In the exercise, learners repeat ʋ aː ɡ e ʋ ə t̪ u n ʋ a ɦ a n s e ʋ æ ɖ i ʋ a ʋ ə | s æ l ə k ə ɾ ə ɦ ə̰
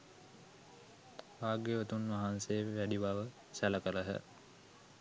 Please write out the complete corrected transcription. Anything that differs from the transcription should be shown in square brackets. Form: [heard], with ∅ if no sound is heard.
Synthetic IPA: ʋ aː ɡ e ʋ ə t̪ u n ʋ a ɦ a n s e ʋ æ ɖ i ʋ a ʋ ə | s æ l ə k ə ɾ ə ɦ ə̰